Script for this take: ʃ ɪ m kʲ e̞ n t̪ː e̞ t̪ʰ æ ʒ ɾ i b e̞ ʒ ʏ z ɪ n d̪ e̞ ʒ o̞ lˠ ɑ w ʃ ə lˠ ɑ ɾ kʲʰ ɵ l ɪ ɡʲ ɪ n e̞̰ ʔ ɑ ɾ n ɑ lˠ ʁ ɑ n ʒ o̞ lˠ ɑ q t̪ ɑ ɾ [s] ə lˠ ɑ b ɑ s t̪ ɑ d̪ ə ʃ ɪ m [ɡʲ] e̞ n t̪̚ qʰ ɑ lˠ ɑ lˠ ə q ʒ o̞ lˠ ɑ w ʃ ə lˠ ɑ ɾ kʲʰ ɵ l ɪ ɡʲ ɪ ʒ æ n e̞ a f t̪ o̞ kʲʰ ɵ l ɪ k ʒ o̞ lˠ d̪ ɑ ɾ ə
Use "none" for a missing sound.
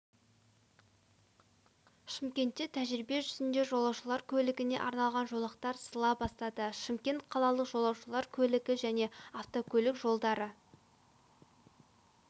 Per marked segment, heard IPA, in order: s, kʲ

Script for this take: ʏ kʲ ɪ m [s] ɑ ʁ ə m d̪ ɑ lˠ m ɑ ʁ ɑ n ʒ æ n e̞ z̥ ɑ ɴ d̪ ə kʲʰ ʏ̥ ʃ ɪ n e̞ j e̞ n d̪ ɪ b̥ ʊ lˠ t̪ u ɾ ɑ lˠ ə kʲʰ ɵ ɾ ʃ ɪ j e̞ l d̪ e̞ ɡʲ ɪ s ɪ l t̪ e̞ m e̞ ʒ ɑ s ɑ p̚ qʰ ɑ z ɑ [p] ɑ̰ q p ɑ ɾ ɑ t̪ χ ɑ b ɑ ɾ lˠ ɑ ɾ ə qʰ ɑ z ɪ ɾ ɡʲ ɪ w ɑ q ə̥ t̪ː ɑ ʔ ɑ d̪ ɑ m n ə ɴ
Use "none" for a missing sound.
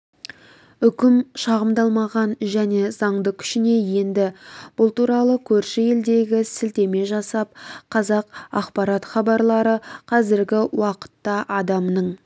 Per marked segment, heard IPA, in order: ʃ, q

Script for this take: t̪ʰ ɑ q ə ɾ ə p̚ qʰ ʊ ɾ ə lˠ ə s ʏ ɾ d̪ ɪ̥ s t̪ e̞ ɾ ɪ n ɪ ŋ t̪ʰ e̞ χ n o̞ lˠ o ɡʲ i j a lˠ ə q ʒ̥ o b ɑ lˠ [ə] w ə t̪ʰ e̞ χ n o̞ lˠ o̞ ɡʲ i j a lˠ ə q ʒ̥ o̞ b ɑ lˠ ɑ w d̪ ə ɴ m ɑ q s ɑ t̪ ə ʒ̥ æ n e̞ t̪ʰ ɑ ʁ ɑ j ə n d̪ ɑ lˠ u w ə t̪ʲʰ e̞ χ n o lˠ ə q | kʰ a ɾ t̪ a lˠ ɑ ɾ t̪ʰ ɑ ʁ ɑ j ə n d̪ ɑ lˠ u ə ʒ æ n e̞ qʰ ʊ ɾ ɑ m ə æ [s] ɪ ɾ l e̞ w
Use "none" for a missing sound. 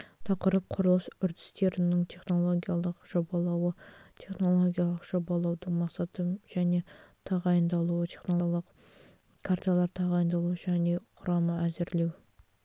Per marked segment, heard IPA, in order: ɑ, z

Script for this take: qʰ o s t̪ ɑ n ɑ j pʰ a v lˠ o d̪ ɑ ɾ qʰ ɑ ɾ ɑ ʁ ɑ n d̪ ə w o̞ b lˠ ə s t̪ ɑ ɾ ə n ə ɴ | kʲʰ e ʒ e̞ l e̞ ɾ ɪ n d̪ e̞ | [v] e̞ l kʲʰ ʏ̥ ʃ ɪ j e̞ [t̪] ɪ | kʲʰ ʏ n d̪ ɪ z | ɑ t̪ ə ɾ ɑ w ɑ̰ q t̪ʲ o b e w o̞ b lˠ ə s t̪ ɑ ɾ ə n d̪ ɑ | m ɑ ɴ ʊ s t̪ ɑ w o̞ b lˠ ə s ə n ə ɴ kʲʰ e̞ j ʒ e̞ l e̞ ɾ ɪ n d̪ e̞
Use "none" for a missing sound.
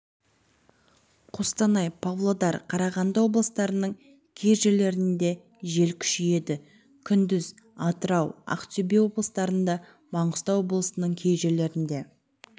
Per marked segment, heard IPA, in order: ʒ, d̪

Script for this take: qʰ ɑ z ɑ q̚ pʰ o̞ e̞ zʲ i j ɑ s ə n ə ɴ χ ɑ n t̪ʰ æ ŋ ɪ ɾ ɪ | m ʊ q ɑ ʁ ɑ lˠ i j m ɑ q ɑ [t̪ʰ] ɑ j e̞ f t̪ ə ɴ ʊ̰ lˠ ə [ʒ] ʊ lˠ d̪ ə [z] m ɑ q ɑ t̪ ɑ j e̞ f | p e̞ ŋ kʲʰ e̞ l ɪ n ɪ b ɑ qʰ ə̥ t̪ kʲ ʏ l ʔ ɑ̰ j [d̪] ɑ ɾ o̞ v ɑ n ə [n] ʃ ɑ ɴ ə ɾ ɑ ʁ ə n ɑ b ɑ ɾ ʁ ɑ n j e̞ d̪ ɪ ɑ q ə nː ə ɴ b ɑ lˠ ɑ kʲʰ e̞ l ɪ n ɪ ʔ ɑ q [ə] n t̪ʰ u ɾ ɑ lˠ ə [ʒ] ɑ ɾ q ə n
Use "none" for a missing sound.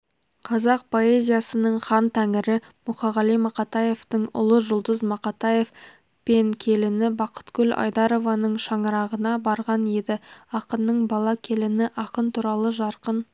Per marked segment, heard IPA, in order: t̪, ʒ, z, d̪, ɴ, ə, ʒ

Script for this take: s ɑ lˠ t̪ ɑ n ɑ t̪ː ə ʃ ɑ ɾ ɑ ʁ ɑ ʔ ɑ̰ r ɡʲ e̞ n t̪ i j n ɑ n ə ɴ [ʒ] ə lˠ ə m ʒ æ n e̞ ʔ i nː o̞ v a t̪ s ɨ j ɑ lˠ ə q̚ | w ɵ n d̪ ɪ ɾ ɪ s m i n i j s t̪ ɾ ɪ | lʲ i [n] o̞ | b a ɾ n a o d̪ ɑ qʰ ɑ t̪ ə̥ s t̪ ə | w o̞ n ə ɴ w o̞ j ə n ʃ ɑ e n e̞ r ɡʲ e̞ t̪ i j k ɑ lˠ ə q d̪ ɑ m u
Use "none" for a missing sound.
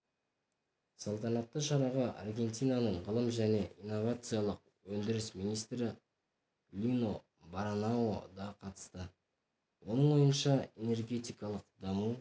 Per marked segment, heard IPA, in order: ʁ, n

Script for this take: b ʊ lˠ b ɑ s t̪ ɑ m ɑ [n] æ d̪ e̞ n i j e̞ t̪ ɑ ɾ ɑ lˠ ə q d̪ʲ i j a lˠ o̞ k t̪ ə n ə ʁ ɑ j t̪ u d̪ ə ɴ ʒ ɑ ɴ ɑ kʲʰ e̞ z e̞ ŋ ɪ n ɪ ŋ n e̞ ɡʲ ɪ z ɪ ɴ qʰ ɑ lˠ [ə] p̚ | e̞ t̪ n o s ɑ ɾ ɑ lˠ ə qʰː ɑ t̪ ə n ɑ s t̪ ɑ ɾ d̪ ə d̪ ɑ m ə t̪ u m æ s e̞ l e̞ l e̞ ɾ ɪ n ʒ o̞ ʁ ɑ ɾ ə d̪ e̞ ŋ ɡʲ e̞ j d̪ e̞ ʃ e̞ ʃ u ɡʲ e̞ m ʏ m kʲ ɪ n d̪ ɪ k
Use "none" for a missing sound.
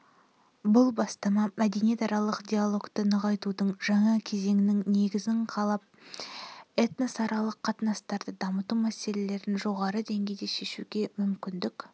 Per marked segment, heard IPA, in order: m, ɑ

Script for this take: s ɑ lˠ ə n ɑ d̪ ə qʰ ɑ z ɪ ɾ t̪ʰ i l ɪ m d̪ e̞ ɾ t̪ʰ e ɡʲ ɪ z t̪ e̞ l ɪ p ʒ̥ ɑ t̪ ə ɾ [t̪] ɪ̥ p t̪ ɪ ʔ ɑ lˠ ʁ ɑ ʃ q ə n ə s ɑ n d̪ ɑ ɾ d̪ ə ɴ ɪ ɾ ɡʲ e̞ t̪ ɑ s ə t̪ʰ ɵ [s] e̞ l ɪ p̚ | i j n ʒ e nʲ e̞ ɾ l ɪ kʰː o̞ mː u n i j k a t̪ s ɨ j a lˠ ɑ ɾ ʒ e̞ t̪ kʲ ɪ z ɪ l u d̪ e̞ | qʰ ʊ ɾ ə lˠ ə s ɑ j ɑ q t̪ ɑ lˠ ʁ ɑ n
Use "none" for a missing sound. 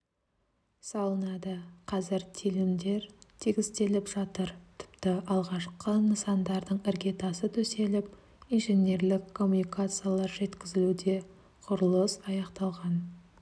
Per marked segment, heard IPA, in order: t̪ʰ, s

